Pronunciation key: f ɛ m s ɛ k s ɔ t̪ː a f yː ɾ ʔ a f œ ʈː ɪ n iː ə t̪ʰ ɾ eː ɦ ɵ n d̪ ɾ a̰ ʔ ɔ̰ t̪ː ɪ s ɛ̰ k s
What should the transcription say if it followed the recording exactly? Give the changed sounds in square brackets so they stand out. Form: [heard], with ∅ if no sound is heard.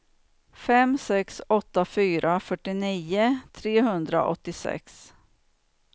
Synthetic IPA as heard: f ɛ m s ɛ k s ɔ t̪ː a f yː ɾ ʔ a f œ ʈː ɪ n iː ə t̪ʰ ɾ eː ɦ ɵ n d̪ ɾ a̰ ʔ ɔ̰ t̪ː ɪ s ɛ̰ k s